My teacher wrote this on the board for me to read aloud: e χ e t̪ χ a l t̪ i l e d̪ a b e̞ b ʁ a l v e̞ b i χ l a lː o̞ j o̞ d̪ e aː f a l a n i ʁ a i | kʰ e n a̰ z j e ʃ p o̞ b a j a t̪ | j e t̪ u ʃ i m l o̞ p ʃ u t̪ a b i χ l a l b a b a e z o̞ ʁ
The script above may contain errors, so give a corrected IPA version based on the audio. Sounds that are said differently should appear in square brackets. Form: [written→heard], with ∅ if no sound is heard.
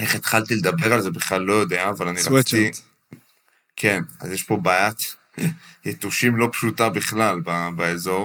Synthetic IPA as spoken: e χ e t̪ χ a l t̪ i l e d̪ a b e̞ [b→∅] ʁ a l [v→z] e̞ b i χ l a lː o̞ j o̞ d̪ e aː [f→v] a l a n i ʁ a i | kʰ e n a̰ z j e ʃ p o̞ b a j a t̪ | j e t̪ u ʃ i m l o̞ p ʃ u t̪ a b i χ l a l b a b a e z o̞ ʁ